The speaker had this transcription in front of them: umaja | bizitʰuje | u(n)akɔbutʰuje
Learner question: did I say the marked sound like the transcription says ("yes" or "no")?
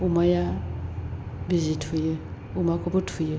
no